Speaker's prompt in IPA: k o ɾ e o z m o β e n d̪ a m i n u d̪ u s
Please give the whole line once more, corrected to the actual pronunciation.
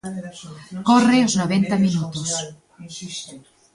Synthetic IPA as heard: k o r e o z n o β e n t̪ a m i n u t̪ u s